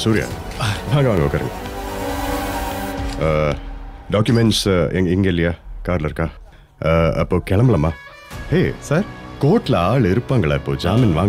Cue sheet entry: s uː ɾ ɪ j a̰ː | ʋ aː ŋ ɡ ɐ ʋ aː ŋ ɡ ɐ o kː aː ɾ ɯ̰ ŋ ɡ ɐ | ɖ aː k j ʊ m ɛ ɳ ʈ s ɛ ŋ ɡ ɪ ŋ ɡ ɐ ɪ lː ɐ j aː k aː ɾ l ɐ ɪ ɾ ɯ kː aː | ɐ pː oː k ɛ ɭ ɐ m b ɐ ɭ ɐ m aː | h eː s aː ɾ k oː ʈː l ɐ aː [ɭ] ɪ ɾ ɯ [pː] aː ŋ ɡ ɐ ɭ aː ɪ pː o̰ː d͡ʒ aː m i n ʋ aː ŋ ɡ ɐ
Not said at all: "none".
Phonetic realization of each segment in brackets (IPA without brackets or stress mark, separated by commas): ɭ, pː